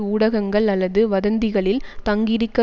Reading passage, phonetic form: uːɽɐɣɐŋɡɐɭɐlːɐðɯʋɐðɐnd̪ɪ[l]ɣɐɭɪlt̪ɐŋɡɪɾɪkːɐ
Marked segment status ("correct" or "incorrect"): incorrect